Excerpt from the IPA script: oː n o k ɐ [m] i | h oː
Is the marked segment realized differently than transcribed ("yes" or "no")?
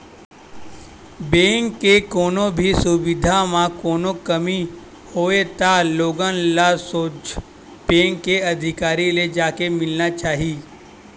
no